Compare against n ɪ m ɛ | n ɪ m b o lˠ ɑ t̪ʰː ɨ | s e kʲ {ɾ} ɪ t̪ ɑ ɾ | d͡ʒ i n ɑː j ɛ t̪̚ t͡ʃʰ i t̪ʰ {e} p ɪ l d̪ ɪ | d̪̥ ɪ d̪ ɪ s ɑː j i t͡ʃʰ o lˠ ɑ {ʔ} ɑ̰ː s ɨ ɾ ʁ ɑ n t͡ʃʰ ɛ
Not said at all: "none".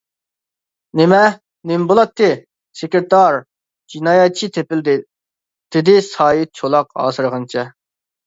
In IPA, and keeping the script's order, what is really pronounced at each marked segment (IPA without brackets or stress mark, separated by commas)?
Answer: ɾ, e, q